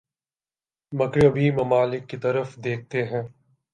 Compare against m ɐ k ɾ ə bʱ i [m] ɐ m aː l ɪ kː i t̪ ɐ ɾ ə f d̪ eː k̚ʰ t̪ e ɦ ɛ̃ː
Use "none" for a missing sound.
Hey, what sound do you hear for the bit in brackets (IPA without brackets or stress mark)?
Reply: m